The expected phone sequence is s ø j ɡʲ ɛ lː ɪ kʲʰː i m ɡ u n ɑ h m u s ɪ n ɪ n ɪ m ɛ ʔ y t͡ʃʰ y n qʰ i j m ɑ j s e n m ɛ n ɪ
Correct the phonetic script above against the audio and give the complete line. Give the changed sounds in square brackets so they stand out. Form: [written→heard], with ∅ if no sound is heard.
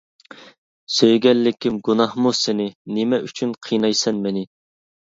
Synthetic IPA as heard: s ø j ɡʲ ɛ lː ɪ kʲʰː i m ɡ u n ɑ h m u s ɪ n ɪ n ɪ m ɛ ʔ y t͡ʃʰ y n qʰ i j [m→n] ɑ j s [e→ɛ] n m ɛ n ɪ